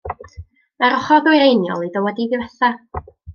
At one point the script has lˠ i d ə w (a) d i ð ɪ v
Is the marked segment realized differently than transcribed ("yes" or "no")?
yes